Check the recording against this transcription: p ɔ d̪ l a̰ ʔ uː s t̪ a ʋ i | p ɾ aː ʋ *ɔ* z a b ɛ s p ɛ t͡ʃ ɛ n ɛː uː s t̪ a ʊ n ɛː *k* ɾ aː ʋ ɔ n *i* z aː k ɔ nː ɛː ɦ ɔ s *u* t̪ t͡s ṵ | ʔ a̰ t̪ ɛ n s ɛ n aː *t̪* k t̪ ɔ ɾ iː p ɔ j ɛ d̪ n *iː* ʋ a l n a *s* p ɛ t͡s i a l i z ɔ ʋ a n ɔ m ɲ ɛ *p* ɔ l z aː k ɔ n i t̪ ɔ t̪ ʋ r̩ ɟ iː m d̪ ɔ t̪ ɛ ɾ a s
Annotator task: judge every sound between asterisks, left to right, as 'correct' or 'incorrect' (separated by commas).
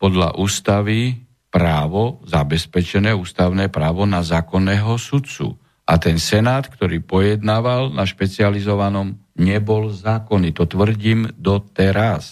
correct, incorrect, incorrect, correct, correct, incorrect, incorrect, incorrect